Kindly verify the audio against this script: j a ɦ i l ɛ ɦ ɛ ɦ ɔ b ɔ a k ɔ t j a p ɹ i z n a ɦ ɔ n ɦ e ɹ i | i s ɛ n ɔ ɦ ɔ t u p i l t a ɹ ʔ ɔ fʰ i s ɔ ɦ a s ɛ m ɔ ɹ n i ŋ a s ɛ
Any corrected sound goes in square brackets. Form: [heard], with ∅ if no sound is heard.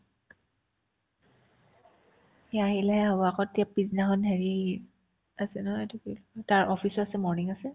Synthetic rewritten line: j a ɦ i l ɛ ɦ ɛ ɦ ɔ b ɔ a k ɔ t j a p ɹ i z n a ɦ ɔ n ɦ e ɹ i | [a] s ɛ n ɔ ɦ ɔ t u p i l t a ɹ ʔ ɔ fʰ i s ɔ [∅] a s ɛ m ɔ ɹ n i ŋ a s ɛ